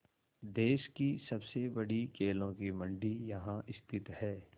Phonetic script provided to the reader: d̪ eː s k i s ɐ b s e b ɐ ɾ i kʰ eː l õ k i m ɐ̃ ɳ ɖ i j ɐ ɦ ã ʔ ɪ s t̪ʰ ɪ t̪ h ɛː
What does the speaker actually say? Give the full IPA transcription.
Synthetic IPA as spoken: d̪ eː ʃ k i s ɐ b s e b ɐ ɽ i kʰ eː l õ k i m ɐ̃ ɳ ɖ i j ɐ ɦ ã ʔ ɪ s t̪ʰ ɪ t̪ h ɛː

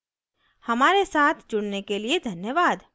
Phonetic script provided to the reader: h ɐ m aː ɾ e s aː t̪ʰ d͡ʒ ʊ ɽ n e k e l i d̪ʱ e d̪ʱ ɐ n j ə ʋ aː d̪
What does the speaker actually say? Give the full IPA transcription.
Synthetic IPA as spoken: h ɐ m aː ɾ e s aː t̪ʰ d͡ʒ ʊ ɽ n e k e l i e d̪ʱ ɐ n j ə ʋ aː d̪

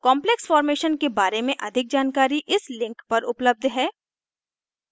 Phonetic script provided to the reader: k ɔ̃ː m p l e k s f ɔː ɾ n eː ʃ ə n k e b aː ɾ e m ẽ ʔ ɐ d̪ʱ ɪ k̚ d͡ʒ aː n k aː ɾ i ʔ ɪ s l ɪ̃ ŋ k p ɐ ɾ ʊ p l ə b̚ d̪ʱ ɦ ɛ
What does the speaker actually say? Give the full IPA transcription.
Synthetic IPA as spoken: k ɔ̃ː m p l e k s f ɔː ɾ m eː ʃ ə n k e b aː ɾ e m ẽ ʔ ɐ d̪ʱ ɪ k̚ d͡ʒ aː n k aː ɾ i ʔ ɪ s l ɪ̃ ŋ k p ɐ ɾ ʊ p l ə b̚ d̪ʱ ɦ ɛː

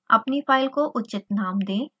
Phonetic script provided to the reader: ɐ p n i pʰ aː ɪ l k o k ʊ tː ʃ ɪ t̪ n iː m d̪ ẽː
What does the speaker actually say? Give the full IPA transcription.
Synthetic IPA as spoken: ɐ p n i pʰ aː ɪ l k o ʔ ʊ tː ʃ ɪ t̪ n aː m d̪ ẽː

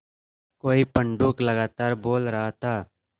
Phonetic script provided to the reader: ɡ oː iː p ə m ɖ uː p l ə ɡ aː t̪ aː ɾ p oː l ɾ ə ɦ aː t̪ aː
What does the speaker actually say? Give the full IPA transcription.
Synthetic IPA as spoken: k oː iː p ə ɳ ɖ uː k l ə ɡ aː t̪ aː ɾ b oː l ɾ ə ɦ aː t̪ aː

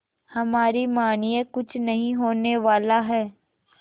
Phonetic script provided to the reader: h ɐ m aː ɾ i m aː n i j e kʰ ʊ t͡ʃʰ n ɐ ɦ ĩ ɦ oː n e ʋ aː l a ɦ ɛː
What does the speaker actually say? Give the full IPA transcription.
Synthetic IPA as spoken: h ɐ m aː ɾ i m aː n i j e k ʊ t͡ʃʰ n ɐ ɦ ĩ ɦ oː n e ʋ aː l a ɦ ɛː

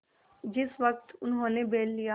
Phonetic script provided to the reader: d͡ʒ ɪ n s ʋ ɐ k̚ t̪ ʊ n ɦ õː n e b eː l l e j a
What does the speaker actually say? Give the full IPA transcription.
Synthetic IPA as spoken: d͡ʒ ɪ s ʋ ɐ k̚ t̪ ʊ n ɦ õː n e b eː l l i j a

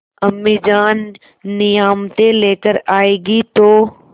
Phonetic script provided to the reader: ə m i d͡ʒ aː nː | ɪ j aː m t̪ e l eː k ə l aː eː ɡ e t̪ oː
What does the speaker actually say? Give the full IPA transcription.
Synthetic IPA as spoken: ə m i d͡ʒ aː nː | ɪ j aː m t̪ e l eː k ə ɾ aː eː ɡ i t̪ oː

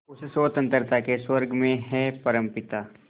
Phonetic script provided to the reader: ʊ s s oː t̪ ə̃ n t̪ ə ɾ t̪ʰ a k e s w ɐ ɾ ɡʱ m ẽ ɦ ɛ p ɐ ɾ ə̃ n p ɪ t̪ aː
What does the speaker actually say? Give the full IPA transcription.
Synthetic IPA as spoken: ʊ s s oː t̪ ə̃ n t̪ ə ɾ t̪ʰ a k e s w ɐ ɾ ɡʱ m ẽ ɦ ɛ p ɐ ɾ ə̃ m p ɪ t̪ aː

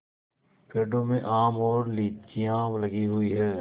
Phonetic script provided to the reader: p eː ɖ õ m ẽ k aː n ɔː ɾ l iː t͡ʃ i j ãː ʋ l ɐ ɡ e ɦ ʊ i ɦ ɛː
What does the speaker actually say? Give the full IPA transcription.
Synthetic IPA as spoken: p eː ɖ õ m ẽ ʔ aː m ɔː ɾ l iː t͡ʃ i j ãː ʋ l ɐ ɡ i ɦ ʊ i ɦ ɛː

